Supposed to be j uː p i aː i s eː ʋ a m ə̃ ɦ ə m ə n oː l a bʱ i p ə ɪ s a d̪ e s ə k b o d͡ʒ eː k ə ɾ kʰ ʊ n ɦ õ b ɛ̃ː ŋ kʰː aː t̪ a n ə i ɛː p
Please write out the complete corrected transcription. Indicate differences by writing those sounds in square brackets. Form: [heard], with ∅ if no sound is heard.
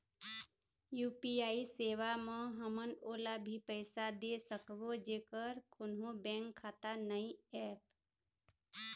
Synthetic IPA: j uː p i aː i s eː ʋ a m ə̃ ɦ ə m ə n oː l a bʱ i p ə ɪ s a d̪ e s ə k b o d͡ʒ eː k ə ɾ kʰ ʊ n ɦ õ b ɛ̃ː ŋ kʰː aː t̪ a n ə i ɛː p